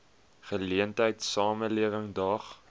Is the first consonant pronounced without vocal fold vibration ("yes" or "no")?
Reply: yes